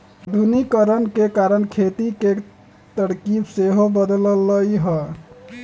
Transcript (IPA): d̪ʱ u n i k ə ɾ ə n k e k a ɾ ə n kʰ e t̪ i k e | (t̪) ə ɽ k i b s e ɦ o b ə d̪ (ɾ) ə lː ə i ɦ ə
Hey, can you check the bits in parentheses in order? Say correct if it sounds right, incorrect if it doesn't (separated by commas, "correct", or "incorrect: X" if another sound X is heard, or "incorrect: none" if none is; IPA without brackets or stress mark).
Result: correct, incorrect: l